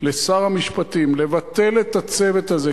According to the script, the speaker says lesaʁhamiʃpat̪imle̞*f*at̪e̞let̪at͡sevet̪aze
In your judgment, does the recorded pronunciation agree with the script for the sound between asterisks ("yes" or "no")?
no